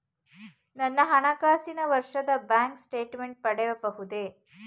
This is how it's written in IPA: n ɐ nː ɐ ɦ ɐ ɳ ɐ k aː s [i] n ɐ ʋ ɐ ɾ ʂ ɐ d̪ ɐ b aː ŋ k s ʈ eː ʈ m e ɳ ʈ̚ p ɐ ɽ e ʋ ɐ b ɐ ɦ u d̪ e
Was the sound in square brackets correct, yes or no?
yes